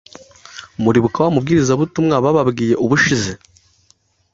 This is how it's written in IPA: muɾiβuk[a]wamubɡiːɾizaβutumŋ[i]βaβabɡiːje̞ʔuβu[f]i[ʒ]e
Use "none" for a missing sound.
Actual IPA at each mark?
a, a, ʃ, z

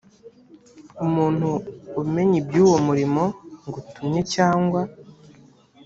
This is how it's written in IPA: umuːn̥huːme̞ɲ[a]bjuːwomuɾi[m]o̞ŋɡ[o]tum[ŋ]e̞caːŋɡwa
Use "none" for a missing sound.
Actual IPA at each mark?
i, m, u, ɲ

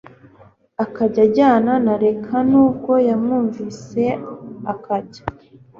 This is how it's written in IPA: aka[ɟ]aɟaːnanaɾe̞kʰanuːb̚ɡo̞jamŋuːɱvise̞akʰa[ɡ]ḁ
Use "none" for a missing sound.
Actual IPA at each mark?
ɟ, ɟ

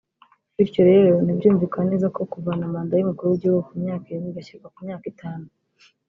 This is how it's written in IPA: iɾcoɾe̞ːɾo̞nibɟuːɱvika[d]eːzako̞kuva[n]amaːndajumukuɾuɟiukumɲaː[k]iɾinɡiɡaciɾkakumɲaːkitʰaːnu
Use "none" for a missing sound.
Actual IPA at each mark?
n, n, k

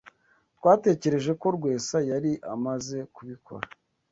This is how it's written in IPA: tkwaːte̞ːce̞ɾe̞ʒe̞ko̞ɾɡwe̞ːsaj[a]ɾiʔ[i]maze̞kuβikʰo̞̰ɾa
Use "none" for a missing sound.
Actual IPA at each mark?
a, a

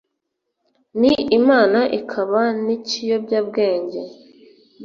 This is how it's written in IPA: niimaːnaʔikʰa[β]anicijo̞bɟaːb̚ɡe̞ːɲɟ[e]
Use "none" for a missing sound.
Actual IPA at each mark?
β, e

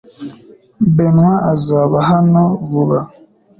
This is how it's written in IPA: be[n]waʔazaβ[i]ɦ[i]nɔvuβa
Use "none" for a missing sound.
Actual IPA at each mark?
n, a, a

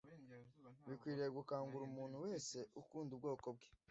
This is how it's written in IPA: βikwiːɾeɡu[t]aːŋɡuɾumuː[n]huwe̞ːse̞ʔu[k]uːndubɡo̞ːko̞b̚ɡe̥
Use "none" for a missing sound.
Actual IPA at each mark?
k, n, k

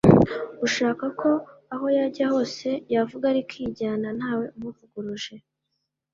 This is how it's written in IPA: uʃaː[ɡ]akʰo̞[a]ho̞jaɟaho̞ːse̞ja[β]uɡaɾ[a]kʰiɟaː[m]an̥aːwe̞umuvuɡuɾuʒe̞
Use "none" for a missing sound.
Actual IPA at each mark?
k, a, v, i, n

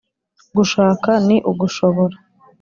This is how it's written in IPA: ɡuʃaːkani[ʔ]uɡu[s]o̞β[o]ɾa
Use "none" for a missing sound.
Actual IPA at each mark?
ʔ, ʃ, o

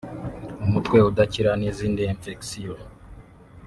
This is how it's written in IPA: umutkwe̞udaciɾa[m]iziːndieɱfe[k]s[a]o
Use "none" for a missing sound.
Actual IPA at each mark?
n, k, i

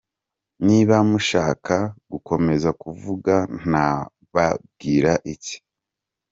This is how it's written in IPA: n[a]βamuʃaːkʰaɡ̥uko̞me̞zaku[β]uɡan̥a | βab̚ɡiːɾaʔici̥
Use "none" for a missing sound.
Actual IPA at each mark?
i, v

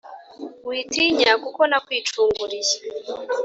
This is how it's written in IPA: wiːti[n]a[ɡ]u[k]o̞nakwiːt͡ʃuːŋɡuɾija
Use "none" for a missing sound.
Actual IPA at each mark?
ɲ, k, k

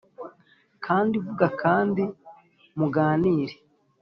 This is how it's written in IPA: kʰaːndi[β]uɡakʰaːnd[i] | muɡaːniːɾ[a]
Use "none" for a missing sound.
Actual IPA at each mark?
v, i, e

